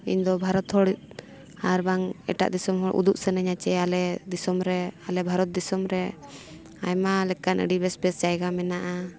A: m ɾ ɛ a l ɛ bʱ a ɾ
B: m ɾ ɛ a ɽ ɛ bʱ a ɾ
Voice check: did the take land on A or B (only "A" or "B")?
A